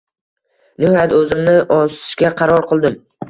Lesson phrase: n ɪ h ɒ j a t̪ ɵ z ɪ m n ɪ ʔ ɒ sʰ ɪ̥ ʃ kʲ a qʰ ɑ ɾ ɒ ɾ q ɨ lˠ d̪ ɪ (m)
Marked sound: correct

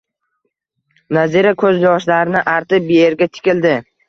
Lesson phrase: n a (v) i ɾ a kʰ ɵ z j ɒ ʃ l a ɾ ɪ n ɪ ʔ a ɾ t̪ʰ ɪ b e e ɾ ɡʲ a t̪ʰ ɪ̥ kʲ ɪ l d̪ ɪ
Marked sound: incorrect: z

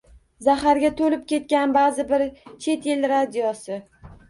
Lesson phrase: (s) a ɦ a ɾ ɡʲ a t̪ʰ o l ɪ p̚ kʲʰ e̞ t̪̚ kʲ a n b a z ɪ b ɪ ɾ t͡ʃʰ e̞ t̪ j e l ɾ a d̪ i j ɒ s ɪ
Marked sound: incorrect: z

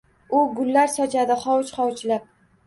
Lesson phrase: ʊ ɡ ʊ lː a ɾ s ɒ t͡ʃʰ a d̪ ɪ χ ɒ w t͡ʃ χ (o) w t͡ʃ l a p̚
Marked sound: incorrect: ɒ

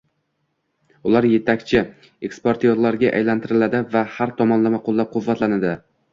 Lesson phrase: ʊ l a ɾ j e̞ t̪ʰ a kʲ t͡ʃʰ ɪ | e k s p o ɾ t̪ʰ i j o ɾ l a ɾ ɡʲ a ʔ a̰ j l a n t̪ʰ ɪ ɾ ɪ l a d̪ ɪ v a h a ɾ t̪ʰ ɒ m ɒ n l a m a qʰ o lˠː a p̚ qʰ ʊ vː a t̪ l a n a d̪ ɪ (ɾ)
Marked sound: incorrect: none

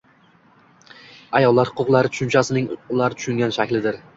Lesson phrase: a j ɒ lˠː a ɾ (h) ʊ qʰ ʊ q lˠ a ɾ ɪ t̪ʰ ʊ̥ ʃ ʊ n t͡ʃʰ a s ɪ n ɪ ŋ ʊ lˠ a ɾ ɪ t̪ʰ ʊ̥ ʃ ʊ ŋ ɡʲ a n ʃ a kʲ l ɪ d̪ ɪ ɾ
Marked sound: correct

